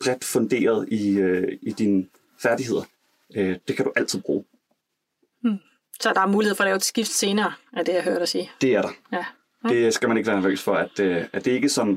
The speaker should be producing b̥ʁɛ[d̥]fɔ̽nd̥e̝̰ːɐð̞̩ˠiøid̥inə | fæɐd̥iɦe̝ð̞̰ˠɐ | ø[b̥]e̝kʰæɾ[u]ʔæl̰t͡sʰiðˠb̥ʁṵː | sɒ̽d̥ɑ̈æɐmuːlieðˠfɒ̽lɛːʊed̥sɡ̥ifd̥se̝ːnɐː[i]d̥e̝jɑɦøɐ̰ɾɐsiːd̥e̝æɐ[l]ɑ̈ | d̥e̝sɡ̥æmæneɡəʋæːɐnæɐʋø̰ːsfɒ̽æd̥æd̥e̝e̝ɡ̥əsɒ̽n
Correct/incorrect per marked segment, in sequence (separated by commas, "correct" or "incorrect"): correct, incorrect, correct, incorrect, incorrect